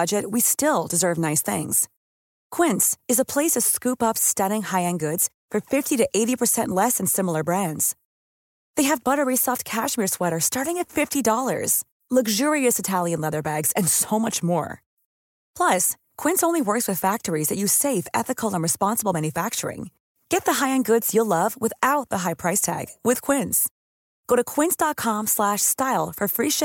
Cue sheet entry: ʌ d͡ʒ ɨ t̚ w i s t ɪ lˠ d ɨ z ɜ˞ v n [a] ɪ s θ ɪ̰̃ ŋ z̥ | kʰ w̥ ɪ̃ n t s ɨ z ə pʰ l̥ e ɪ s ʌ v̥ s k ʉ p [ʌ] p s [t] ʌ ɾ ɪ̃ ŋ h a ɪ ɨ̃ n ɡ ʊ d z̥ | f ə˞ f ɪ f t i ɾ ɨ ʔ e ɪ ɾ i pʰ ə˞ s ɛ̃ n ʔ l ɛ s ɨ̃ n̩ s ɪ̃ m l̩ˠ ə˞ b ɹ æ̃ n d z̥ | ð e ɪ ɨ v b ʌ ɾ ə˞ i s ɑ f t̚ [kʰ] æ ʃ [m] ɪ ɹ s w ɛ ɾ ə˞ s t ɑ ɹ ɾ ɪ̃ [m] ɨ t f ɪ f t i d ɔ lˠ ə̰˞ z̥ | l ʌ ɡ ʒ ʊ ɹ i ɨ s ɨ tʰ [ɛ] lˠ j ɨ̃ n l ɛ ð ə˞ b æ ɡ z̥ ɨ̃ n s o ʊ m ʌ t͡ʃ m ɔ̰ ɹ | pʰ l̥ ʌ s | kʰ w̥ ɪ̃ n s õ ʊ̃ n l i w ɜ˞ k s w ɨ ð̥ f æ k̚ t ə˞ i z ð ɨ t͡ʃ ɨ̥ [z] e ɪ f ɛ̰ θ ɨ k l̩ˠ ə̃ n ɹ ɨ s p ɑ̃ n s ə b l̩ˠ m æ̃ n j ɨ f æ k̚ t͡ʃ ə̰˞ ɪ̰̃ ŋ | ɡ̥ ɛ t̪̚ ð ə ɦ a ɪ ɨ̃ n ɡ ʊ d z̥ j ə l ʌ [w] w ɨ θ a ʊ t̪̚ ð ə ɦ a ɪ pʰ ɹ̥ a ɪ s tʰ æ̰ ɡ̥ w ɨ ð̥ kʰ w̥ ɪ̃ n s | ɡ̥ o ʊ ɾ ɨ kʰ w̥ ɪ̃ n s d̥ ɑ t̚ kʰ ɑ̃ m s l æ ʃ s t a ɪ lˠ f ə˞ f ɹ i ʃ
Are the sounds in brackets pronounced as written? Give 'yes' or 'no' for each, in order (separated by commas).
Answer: yes, yes, yes, yes, yes, no, no, no, no